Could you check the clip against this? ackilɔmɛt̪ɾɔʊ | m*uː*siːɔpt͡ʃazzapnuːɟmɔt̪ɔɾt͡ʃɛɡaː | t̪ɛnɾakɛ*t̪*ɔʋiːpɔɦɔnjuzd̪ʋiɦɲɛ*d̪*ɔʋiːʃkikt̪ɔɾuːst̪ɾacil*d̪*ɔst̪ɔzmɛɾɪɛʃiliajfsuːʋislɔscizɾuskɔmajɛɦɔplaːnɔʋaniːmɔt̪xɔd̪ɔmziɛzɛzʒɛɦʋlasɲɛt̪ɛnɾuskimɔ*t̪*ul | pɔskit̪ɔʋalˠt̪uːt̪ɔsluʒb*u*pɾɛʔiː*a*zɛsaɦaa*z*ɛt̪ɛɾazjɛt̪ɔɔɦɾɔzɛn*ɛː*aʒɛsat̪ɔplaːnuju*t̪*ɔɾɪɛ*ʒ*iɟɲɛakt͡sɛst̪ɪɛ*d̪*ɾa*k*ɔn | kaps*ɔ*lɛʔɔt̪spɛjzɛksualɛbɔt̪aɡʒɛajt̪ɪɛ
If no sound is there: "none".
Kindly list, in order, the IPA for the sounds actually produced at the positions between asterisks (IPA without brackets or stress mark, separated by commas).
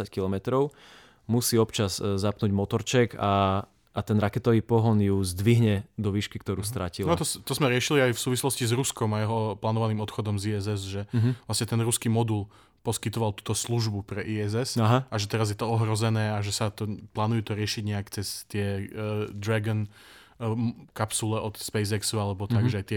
u, t̪, d̪, t̪, d̪, u, ɛ, ʒ, ɛː, t̪, ʃ, d̪, ɡ, u